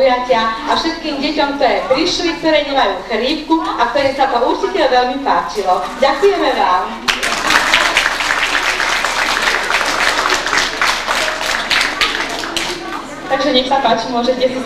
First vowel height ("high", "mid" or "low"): low